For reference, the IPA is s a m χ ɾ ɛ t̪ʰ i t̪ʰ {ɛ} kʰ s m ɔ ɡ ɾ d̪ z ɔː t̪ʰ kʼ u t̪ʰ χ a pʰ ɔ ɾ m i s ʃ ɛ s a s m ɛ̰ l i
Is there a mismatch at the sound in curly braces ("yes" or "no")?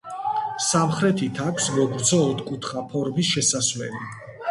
yes